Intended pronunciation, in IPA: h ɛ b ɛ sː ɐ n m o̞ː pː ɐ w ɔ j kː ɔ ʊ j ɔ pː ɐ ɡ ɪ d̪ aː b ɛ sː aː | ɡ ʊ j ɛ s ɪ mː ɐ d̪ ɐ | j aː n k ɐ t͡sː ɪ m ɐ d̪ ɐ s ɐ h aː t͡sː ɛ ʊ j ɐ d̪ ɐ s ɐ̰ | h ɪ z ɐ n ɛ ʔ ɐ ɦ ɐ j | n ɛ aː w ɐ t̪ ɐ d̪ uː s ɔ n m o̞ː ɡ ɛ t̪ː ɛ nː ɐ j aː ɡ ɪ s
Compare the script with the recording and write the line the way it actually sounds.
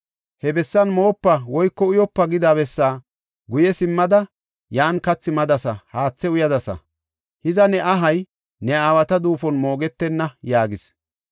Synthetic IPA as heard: h ɛ b ɛ sː ɐ n m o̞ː pː ɐ w ɔ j kː ɔ ʊ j ɔ pː ɐ ɡ ɪ d̪ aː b ɛ sː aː | ɡ ʊ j ɛ s ɪ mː ɐ d̪ ɐ | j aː n k ɐ t͡sː ɪ m ɐ d̪ ɐ s ɐ h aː t͡sː ɛ ʊ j ɐ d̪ ɐ s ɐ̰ | h ɪ z ɐ n ɛ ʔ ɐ ɦ ɐ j | n ɛ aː w ɐ t̪ ɐ d̪ uː f ɔ n m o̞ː ɡ ɛ t̪ː ɛ nː ɐ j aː ɡ ɪ s